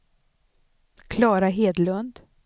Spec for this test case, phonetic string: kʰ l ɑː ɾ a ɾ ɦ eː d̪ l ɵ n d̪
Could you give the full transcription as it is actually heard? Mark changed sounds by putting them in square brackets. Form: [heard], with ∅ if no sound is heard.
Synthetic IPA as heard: kʰ l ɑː ɾ a [∅] ɦ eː d̪ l ɵ n d̪